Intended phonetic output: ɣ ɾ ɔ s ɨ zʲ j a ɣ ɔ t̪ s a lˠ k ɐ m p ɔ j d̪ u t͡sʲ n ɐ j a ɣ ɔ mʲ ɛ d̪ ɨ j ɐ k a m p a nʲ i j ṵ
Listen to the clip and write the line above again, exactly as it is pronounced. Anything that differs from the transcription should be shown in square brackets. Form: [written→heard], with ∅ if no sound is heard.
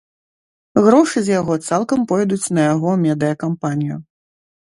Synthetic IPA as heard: ɣ ɾ ɔ [s→ʂ] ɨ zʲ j a ɣ ɔ t̪ s a lˠ k ɐ m p ɔ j d̪ u t͡sʲ n ɐ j a ɣ ɔ mʲ ɛ d̪ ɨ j ɐ k a m p a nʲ i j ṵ